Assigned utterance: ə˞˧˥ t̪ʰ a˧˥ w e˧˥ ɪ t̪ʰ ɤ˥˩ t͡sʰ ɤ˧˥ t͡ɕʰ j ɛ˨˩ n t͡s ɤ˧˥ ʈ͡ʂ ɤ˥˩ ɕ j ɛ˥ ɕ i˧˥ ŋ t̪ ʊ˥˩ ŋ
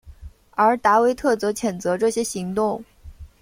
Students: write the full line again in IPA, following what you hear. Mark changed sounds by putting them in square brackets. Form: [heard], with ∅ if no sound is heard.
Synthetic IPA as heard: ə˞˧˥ [t̪] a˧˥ w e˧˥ ɪ t̪ʰ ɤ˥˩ [t͡s] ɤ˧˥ t͡ɕʰ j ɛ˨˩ n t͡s ɤ˧˥ ʈ͡ʂ ɤ˥˩ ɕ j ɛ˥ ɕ i˧˥ ŋ t̪ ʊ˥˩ ŋ